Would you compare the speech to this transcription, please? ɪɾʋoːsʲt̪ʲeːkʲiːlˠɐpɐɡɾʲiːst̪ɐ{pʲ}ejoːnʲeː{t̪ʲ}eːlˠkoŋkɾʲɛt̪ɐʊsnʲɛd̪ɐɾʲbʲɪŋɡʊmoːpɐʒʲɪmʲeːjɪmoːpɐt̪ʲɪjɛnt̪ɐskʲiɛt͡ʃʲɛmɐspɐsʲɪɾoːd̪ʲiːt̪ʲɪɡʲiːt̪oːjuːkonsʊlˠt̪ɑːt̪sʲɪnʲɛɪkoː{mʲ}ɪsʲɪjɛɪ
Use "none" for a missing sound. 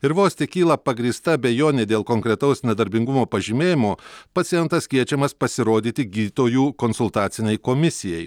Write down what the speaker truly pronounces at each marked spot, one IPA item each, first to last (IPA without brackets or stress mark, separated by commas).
bʲ, d̪ʲ, mʲ